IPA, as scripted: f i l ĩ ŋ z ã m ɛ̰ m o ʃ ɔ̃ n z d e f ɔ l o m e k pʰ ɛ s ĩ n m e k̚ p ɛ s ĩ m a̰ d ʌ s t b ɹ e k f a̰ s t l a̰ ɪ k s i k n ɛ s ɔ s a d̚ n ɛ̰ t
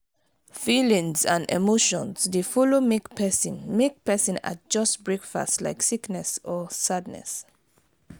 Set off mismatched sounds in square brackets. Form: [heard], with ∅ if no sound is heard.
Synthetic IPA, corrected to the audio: f i l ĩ ŋ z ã [n] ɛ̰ m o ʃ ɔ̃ n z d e f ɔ l o m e k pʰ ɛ s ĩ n m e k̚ p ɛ s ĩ [n] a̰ [d͡ʒ] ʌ s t b ɹ e k f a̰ s t l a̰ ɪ k s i k n ɛ s ɔ s a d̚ n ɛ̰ [s]